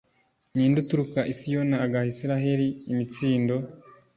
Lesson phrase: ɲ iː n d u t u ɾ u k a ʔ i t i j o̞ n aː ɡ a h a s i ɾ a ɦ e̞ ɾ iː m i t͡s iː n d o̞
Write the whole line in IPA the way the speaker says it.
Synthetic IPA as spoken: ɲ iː n d u t u ɾ u k a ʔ i s i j o̞ n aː ɡ a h i s i ɾ a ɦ e̞ ɾ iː m i t͡s iː n d o̞